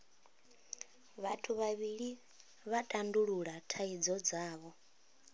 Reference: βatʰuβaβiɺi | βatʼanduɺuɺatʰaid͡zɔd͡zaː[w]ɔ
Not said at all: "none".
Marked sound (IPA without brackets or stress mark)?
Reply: β